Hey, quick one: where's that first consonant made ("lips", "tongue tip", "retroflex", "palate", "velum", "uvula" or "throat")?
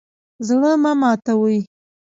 tongue tip